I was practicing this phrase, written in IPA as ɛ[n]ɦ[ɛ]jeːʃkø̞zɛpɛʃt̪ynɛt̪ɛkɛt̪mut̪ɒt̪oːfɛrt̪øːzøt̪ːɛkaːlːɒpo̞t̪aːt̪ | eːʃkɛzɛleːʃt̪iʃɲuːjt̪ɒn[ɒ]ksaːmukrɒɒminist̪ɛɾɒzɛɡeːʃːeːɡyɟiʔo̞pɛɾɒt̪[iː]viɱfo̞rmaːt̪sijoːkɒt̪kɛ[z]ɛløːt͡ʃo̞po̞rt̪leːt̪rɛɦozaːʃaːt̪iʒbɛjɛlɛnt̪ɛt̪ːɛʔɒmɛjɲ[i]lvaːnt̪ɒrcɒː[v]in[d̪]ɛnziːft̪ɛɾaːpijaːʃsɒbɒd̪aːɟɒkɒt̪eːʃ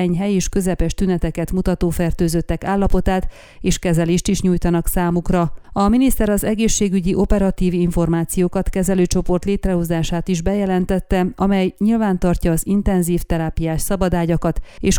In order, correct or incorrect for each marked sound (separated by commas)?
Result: incorrect, correct, correct, correct, correct, correct, incorrect, incorrect